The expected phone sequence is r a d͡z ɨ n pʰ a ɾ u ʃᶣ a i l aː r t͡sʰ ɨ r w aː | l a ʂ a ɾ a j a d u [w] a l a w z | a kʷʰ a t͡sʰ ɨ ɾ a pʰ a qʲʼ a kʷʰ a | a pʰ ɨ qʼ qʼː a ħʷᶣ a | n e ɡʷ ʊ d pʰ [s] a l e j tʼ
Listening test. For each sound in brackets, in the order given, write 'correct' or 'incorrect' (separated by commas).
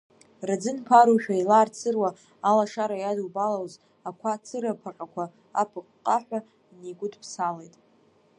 incorrect, correct